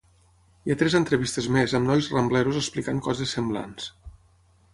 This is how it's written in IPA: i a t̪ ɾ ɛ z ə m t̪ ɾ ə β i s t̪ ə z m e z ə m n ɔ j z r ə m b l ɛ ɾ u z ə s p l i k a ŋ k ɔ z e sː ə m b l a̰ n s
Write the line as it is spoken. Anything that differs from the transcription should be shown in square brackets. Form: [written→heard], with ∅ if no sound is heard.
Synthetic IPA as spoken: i a t̪ ɾ ɛ z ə [m→n] t̪ ɾ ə β i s t̪ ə z m e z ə m n ɔ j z r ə m b l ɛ ɾ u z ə s p l i k a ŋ k ɔ z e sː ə m b l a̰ n s